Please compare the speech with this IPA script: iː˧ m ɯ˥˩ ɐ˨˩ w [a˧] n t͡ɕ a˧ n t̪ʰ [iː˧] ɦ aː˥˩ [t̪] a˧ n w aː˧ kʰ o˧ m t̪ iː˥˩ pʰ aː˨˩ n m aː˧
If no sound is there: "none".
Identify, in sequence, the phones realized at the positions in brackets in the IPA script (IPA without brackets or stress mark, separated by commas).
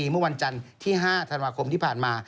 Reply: a˧, iː˥˩, t̪ʰ